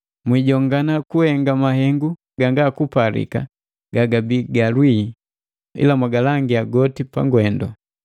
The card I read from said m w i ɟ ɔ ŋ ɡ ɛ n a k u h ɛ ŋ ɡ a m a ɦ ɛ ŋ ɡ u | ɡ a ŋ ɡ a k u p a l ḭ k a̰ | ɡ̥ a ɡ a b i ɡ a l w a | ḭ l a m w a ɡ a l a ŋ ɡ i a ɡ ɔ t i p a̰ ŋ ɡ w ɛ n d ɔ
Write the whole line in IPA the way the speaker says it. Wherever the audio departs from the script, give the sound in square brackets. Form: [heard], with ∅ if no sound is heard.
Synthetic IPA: m w i ɟ ɔ ŋ ɡ [a] n a k u h ɛ ŋ ɡ a m a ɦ ɛ ŋ ɡ u | ɡ a ŋ ɡ a k u p a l ḭ k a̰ | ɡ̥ a ɡ a b i ɡ a l w [i] | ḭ l a m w a ɡ a l a ŋ ɡ i a ɡ ɔ t i p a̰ ŋ ɡ w ɛ n d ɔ